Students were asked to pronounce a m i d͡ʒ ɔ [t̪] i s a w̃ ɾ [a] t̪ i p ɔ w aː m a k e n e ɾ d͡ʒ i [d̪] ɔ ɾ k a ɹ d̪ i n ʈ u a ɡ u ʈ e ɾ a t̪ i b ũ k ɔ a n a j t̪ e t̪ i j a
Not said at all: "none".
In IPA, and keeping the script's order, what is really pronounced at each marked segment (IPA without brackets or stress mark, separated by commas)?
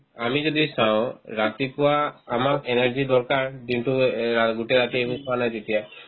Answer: d̪, a, d̪